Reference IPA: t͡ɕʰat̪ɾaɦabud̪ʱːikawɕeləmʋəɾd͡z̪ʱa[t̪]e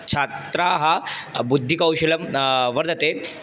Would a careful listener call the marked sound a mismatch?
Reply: no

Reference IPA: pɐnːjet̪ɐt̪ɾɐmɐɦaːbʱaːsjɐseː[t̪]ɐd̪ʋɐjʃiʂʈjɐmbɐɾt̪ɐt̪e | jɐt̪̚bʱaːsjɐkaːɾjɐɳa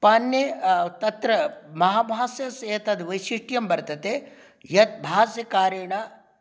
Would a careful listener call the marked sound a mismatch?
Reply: no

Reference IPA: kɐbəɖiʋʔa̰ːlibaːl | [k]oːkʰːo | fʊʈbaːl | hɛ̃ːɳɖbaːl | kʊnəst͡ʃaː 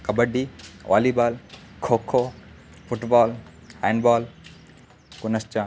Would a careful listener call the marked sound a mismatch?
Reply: yes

